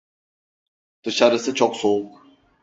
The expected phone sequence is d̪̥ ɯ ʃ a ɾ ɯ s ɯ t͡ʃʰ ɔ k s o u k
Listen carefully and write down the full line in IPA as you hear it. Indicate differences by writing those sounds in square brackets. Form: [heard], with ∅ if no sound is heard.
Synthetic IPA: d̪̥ ɯ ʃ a ɾ ɯ s ɯ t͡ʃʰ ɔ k s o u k